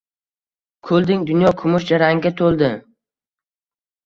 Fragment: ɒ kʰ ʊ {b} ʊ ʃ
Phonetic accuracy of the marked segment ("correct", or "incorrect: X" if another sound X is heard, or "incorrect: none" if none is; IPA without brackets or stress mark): incorrect: m